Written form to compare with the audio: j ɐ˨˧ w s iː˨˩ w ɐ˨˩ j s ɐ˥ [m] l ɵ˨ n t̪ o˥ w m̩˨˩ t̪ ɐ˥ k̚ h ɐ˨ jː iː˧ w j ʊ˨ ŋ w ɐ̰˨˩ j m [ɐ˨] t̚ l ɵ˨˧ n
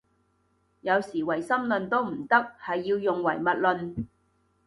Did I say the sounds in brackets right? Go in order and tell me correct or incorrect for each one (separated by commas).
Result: correct, correct